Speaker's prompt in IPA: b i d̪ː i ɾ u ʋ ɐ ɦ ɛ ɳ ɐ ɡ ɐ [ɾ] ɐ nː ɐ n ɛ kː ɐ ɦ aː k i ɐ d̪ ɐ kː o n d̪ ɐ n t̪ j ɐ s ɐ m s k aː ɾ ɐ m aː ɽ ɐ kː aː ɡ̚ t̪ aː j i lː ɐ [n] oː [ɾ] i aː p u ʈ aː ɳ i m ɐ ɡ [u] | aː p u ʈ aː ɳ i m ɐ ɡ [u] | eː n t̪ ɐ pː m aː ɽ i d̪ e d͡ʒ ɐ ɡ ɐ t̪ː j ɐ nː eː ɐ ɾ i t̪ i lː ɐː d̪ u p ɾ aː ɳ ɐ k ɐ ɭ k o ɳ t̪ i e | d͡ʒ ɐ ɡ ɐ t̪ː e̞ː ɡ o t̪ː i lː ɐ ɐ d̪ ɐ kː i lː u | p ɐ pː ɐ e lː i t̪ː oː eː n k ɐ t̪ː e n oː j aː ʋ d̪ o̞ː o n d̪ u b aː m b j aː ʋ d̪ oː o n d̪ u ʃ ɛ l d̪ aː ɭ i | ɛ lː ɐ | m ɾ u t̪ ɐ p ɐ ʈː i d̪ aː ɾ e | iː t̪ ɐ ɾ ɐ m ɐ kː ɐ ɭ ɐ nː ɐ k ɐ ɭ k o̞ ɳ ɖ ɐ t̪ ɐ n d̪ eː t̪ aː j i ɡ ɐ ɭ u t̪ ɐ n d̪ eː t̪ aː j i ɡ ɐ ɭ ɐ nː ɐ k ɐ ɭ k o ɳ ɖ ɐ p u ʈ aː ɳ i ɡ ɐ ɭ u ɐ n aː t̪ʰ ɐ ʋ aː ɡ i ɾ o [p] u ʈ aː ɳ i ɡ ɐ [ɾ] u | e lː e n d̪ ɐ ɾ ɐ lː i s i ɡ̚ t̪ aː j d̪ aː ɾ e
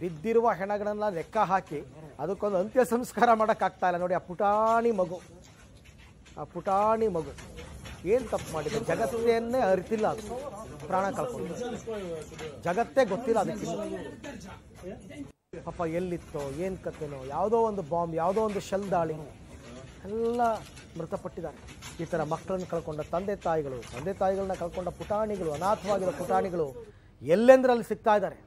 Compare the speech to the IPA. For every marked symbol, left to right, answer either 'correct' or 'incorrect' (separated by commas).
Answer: incorrect, correct, incorrect, correct, correct, correct, incorrect